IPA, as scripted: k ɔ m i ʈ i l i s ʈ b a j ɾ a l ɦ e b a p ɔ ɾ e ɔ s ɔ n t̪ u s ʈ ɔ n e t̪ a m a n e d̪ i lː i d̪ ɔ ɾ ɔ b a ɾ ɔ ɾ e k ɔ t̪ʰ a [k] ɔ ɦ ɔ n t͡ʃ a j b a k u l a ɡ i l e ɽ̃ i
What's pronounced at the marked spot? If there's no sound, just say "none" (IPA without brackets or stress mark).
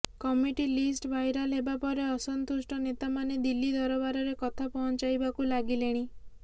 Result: p